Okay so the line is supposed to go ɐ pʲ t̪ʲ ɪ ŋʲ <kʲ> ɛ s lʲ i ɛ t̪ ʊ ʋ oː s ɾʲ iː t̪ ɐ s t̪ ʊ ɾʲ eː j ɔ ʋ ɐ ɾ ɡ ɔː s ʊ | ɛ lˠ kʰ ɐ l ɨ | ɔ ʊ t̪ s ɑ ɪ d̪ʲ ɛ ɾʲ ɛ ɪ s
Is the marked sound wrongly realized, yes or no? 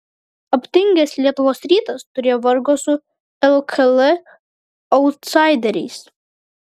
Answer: yes